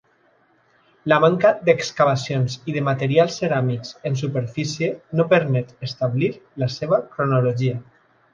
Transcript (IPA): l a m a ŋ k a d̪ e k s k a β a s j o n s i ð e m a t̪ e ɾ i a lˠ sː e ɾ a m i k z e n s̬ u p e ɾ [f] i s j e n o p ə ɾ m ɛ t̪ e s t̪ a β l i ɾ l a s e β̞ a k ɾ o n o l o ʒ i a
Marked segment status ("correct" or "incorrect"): correct